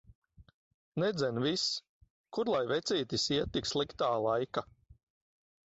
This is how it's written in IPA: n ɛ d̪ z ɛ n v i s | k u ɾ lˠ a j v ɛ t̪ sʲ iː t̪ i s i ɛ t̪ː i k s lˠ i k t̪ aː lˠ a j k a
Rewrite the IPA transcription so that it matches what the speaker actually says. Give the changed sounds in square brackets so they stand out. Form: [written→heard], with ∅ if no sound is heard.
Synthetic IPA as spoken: n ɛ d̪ z ɛ n v i s | k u ɾ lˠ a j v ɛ t̪ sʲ iː t̪ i s i ɛ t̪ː i k s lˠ i k t̪ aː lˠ a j k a

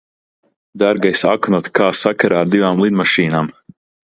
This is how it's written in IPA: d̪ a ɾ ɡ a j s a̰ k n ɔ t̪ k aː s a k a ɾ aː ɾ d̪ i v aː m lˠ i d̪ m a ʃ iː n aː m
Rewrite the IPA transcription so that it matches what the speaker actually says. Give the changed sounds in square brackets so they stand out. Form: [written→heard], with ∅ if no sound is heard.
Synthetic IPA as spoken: d̪ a ɾ ɡ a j s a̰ k n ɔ t̪ k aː s a k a ɾ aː ɾ d̪ i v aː m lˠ i d̪ m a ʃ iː n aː m

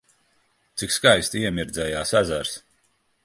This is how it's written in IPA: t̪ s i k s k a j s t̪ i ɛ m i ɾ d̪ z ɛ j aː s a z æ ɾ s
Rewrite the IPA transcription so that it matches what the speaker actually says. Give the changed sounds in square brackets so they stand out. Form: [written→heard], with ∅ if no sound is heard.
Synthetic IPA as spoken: t̪ s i k s k a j s t̪ i ɛ m i ɾ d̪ z ɛ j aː s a z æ ɾ s

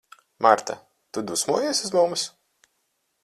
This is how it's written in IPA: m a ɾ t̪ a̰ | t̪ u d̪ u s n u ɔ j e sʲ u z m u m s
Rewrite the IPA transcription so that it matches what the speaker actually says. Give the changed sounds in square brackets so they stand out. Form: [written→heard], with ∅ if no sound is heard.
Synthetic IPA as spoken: m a ɾ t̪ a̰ | t̪ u d̪ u s [n→m] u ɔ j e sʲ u z m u m s

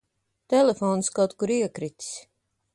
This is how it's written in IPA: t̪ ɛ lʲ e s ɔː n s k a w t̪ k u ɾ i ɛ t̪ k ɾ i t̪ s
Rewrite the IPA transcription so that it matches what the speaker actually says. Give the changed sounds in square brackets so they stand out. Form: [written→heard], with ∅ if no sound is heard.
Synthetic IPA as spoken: t̪ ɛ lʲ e [s→f] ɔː n s k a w t̪ k u ɾ i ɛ [t̪→∅] k ɾ i t̪ s

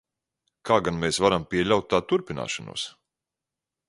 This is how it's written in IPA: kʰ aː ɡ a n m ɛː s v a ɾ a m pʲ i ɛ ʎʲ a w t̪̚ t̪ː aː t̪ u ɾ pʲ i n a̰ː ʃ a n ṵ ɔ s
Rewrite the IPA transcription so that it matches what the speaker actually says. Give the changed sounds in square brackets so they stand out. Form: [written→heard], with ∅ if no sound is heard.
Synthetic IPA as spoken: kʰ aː ɡ a n m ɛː s v a ɾ a m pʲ i ɛ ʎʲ a w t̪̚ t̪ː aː t̪ u ɾ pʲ i n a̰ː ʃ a n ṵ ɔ s

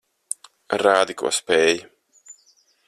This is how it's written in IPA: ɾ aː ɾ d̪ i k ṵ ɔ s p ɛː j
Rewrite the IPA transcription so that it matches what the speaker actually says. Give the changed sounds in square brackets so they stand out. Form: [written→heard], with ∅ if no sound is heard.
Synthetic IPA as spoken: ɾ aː [ɾ→∅] d̪ i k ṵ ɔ s p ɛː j

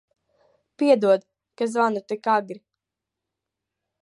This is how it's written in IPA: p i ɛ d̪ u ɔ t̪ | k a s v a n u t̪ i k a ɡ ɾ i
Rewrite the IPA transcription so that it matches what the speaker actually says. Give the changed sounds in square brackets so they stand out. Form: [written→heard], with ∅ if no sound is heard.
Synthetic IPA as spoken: p i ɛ d̪ u ɔ [t̪→d̪] | k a [s→z] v a n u t̪ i k a ɡ ɾ i

